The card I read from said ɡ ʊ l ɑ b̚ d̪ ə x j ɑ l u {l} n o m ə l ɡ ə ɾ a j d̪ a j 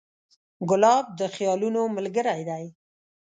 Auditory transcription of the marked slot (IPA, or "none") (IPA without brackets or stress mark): none